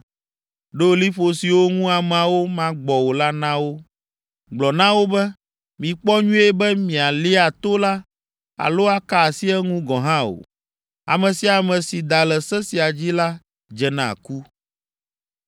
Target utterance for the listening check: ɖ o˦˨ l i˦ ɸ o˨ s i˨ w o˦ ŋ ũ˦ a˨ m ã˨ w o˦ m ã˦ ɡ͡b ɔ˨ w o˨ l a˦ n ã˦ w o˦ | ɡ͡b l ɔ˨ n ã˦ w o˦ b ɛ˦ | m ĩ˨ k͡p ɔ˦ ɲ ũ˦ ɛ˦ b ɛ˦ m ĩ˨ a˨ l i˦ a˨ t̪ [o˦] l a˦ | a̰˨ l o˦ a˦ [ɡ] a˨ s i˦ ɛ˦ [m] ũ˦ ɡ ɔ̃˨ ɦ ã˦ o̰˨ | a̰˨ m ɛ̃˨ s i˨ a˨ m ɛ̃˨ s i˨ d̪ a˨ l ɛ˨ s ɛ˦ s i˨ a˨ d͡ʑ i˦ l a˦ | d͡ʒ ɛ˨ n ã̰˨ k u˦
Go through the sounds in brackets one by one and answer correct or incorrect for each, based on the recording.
correct, incorrect, incorrect

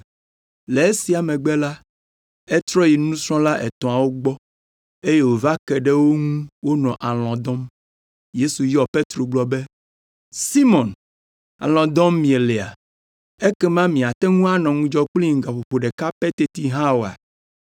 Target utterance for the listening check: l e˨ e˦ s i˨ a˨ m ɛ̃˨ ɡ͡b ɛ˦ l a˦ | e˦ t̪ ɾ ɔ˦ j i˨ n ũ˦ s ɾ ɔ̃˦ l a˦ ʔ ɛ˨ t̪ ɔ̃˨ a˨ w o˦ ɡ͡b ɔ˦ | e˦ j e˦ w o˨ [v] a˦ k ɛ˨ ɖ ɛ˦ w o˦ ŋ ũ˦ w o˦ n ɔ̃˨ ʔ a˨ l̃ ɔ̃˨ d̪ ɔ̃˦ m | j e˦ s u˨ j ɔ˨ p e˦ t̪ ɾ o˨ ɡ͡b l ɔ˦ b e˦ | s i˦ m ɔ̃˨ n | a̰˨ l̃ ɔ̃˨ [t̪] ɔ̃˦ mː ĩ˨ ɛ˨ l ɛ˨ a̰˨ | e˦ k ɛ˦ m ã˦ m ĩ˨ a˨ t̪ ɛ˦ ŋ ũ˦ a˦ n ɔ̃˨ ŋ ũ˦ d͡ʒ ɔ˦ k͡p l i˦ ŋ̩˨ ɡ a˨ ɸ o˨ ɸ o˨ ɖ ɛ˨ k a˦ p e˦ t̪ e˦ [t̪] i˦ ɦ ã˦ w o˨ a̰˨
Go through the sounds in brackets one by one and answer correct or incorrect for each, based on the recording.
correct, incorrect, correct

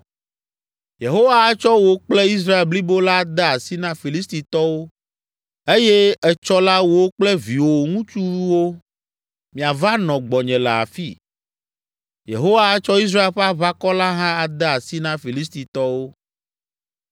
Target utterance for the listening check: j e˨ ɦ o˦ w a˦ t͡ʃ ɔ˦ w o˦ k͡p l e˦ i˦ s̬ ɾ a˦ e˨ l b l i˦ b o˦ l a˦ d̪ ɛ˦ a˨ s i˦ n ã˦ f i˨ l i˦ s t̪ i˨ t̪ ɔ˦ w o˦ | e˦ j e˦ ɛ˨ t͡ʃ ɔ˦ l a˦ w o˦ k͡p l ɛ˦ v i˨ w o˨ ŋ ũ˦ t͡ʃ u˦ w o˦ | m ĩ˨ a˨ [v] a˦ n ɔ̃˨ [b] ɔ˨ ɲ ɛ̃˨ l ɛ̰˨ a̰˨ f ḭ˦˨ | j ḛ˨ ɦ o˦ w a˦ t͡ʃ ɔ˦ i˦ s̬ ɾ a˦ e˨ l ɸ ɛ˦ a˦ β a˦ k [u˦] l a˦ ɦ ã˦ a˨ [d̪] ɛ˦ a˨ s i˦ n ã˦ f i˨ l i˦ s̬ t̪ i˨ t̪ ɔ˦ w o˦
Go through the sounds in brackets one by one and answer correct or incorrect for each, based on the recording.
correct, incorrect, incorrect, correct

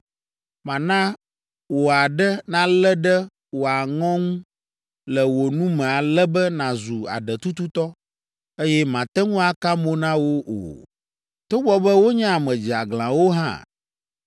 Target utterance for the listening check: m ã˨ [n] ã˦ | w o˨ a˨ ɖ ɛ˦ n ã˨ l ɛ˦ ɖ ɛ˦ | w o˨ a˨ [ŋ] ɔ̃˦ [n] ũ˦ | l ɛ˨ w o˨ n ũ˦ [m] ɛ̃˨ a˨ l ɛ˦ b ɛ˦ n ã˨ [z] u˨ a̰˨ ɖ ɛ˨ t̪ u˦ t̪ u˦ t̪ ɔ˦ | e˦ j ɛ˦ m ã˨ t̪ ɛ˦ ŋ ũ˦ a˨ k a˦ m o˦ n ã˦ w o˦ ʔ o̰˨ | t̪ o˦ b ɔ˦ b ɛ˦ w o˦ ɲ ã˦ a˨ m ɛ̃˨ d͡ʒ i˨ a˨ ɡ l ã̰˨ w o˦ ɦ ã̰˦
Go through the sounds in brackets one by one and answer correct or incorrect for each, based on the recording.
correct, correct, incorrect, correct, correct

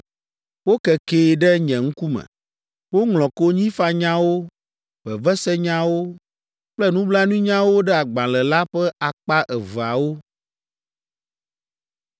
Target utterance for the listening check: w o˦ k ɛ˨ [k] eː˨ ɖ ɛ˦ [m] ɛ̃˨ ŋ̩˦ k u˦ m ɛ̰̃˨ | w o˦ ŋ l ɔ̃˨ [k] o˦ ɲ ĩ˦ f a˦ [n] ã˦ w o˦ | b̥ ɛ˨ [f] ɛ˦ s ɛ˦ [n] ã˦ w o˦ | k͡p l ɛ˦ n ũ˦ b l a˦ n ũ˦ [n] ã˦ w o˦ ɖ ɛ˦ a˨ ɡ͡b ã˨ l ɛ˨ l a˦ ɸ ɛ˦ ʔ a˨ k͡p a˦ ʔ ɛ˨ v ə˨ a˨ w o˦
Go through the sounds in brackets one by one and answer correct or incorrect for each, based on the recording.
correct, incorrect, correct, incorrect, incorrect, incorrect, incorrect

